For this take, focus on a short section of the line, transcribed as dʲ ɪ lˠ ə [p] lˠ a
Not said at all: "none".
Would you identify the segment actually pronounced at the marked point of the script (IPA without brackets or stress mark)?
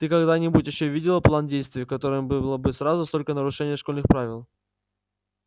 p